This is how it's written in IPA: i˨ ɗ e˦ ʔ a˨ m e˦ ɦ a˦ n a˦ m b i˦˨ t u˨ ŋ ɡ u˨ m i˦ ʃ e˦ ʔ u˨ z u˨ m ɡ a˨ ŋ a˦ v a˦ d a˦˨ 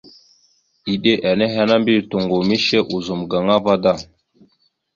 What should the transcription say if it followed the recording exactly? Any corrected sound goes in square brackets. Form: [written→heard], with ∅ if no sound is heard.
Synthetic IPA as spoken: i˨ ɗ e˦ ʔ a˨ [m→n] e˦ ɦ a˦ n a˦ m b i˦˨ t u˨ ŋ ɡ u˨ m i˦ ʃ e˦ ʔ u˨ z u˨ m ɡ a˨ ŋ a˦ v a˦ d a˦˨